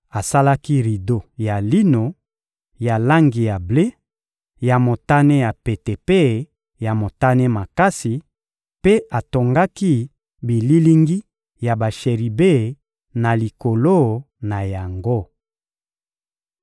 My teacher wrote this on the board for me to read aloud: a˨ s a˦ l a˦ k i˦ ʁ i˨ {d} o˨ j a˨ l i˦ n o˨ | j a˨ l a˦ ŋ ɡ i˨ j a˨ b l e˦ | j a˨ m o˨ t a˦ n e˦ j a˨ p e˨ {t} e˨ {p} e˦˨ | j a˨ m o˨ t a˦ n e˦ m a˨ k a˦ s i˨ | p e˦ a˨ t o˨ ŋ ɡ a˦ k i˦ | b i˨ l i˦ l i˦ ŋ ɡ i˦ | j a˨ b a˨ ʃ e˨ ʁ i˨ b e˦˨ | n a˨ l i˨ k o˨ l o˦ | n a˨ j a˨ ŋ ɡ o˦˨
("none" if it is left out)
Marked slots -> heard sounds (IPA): d, t, p

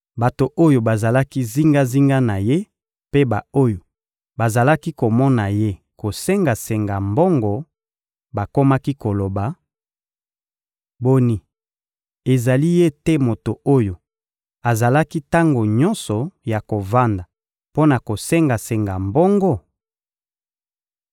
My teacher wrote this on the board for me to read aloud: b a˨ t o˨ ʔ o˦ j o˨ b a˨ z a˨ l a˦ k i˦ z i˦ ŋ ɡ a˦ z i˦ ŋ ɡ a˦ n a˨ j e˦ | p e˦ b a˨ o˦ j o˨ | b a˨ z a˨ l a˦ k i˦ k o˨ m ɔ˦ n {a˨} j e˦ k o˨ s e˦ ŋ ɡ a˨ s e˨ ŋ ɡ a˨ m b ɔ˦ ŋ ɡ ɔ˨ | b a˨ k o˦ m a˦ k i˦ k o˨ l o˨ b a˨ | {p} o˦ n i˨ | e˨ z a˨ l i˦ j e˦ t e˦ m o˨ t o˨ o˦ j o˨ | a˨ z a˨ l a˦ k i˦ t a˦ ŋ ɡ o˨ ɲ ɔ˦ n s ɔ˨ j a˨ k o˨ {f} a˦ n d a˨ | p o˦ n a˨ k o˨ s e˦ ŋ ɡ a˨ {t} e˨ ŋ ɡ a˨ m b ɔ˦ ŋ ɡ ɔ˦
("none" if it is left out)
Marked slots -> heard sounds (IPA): a˨, b, v, s

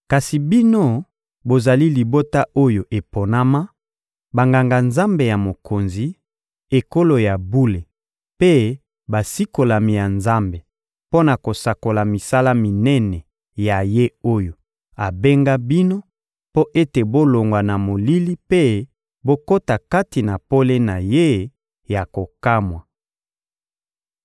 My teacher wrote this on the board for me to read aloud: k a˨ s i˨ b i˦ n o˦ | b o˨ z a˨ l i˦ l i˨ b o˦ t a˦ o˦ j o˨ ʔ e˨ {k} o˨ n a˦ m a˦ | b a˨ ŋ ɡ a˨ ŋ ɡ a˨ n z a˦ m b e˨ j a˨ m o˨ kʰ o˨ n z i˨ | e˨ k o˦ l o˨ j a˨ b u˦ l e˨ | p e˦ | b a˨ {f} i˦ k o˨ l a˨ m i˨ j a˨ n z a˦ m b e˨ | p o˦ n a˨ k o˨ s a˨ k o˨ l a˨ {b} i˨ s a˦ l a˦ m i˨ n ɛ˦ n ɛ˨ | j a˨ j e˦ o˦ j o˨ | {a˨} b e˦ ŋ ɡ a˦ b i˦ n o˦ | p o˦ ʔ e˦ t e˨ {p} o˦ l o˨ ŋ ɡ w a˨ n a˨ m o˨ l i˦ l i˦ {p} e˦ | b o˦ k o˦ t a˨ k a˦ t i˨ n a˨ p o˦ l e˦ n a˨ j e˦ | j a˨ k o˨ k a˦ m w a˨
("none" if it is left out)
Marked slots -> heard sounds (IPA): p, s, m, a˨, b, p

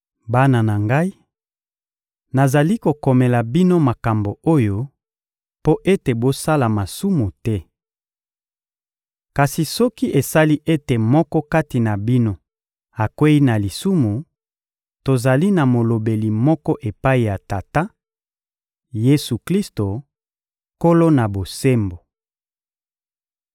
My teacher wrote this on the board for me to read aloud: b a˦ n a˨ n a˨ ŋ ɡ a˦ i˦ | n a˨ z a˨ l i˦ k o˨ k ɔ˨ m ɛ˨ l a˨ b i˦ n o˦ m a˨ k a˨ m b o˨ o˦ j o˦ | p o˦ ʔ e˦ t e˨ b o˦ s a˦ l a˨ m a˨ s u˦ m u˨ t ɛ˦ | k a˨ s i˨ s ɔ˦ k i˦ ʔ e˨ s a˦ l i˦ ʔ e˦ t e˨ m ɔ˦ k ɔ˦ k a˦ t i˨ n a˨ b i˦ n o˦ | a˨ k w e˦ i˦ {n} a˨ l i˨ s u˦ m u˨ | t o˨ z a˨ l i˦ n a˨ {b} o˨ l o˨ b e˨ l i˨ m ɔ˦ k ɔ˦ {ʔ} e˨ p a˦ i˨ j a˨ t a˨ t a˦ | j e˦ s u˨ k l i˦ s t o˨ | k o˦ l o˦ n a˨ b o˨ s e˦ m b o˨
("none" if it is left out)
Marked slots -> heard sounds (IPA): n, m, ʔ

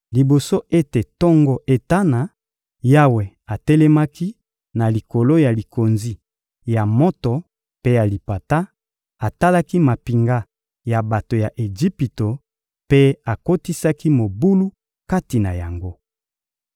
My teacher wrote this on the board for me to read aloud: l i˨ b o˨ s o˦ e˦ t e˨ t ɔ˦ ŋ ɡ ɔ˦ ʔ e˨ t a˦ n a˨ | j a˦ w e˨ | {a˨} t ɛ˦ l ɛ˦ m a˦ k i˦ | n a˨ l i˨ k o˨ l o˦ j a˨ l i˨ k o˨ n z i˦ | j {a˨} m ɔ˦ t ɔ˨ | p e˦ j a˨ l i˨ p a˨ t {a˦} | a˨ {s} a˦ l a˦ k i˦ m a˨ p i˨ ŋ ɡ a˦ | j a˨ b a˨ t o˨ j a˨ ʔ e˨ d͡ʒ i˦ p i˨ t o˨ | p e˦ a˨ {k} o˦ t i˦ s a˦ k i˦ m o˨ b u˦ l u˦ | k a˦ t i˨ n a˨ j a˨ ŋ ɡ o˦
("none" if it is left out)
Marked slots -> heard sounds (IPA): a˨, a˨, a˦, t, k

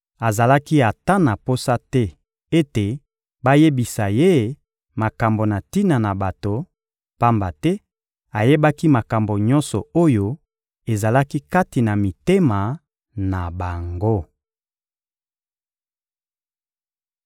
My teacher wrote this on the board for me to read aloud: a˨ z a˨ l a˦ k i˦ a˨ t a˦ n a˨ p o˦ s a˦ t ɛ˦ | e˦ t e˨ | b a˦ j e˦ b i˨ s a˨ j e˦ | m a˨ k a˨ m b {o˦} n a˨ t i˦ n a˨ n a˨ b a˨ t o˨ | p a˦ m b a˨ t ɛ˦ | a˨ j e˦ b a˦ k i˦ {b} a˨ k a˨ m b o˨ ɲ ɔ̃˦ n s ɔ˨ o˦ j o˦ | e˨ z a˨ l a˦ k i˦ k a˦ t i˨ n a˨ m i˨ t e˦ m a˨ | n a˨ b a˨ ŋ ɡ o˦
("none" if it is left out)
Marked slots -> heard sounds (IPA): o˨, m

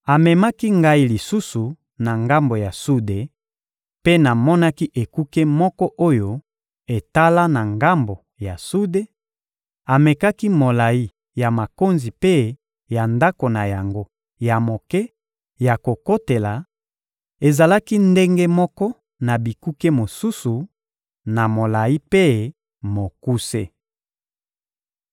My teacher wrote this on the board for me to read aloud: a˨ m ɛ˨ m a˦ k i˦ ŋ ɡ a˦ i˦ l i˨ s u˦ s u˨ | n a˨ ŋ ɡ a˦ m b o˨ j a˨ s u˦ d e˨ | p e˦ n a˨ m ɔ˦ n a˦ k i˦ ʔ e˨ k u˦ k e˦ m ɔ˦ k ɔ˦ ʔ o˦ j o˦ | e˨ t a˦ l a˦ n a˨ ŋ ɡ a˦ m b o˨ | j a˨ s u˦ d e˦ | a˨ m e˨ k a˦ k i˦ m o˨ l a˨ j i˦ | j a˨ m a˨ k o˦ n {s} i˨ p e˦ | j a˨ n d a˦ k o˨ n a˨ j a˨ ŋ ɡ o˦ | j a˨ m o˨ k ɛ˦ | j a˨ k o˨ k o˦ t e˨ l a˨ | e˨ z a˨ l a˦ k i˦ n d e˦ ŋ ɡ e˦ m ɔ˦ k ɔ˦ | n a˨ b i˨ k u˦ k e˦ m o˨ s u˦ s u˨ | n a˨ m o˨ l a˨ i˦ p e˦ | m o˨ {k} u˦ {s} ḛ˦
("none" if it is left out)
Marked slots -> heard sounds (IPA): z, k, s

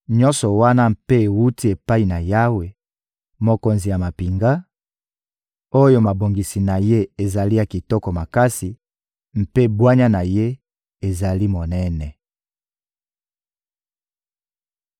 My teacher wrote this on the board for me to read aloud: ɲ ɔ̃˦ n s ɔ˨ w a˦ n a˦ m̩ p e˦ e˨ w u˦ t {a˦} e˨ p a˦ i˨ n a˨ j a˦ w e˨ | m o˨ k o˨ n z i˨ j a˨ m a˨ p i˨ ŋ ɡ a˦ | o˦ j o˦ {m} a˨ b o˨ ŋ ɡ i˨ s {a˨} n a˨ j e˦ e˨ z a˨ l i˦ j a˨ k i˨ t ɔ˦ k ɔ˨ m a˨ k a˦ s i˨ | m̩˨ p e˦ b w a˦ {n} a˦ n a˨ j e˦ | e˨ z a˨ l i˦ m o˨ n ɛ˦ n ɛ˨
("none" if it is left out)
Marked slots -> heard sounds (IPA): i˦, m, i˨, ɲ

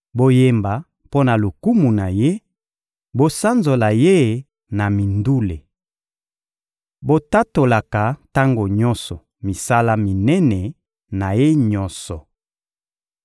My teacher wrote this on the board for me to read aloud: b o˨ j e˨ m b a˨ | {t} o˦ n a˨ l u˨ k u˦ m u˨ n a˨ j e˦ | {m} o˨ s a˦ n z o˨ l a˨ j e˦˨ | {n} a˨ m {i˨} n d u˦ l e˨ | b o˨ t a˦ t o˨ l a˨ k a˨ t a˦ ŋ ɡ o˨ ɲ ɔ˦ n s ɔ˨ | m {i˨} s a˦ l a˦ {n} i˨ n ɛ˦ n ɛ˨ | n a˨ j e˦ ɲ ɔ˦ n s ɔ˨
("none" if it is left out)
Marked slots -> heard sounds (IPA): p, b, n, i˨, i˨, m

